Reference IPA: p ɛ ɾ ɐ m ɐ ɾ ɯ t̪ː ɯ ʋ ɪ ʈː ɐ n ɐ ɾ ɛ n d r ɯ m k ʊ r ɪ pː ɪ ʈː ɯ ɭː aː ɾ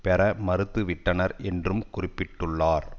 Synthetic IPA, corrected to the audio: p ɛ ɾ ɐ m ɐ ɾ ɯ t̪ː ɯ ʋ ɪ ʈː ɐ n ɐ ɾ ɛ n d r ɯ m k ʊ r ɪ pː ɪ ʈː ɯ ɭː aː ɾ